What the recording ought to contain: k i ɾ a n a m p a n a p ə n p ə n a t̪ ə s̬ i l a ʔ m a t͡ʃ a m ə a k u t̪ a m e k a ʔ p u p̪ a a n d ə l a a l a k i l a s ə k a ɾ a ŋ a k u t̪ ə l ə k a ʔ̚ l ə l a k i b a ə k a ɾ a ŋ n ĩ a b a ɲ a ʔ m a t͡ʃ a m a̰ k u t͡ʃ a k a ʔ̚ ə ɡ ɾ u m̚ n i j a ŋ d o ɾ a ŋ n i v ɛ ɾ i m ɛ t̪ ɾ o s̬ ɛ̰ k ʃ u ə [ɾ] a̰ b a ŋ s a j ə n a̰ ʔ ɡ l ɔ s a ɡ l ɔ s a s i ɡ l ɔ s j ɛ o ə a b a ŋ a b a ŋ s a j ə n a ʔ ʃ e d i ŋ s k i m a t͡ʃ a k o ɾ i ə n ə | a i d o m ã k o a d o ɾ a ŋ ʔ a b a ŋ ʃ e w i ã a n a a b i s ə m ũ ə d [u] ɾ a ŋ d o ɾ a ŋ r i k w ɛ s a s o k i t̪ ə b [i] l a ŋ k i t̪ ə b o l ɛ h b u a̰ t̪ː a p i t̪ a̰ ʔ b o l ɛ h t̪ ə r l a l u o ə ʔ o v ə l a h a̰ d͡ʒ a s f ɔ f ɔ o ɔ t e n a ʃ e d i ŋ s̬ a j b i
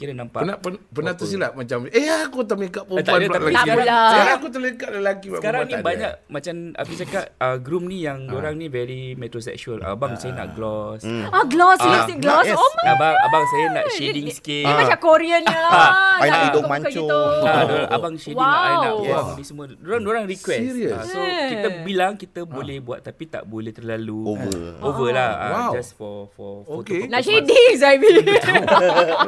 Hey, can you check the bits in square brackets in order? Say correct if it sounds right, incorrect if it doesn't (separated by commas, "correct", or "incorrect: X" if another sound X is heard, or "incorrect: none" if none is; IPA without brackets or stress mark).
incorrect: l, incorrect: o, correct